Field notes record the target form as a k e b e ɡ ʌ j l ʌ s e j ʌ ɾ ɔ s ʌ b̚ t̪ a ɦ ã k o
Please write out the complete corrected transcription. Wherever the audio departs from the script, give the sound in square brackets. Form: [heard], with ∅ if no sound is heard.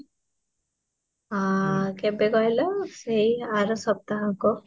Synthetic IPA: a k e b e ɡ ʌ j l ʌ s e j [a] ɾ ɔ s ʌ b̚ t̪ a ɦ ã k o